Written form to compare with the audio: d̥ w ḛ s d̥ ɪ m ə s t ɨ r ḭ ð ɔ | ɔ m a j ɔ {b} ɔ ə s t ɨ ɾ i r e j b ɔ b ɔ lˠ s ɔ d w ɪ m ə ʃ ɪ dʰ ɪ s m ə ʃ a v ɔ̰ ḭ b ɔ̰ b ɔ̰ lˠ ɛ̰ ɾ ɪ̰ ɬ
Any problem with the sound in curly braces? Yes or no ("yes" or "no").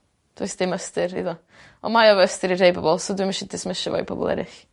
yes